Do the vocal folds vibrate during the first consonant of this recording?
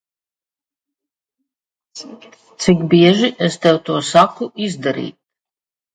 no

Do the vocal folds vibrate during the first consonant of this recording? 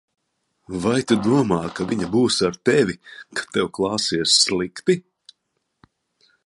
yes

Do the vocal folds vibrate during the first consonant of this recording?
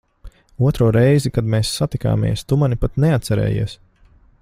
no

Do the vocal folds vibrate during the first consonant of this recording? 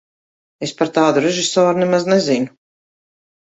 no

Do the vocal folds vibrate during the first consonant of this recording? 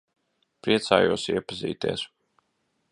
no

